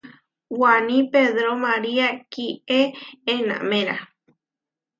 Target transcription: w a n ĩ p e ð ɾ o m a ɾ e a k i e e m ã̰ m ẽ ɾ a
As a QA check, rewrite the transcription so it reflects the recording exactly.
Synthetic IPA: w a n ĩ p e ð ɾ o m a ɾ i a k i e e n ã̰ m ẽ ɾ a